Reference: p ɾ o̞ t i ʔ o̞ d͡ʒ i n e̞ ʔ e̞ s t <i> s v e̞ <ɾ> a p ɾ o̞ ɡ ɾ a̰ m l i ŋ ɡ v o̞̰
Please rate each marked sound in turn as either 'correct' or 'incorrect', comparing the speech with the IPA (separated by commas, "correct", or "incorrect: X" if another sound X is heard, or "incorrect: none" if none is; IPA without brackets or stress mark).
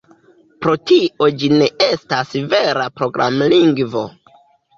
incorrect: a, correct